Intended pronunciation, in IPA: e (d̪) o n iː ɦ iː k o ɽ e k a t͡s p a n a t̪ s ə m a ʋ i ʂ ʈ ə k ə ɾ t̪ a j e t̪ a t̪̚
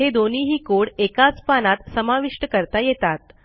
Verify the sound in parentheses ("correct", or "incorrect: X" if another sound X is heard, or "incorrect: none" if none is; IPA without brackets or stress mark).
correct